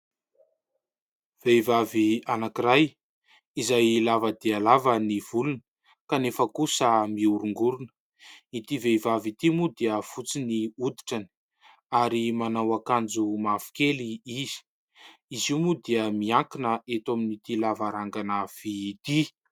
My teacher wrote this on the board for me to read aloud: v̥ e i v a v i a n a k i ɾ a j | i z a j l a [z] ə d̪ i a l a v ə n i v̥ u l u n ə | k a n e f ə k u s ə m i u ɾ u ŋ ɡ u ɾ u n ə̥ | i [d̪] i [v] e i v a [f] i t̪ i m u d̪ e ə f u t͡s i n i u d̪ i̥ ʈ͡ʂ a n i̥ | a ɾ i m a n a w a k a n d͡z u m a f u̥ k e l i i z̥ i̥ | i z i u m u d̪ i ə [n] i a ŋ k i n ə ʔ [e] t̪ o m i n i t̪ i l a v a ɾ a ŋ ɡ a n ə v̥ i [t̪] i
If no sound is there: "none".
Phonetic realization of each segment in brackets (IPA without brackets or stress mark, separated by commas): v, t̪, v, v, m, e, t̪